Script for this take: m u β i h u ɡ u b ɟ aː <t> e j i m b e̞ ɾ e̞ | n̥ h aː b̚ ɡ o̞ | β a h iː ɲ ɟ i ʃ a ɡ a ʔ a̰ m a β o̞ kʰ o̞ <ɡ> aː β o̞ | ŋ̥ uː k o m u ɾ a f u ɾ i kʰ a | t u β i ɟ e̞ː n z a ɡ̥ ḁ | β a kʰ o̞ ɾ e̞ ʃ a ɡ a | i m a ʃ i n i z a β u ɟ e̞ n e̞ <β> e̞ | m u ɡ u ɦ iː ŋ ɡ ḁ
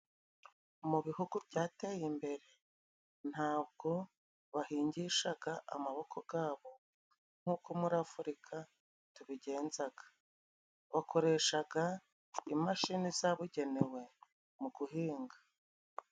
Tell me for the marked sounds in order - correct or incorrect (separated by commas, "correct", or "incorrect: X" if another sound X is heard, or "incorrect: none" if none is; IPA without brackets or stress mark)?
correct, correct, incorrect: w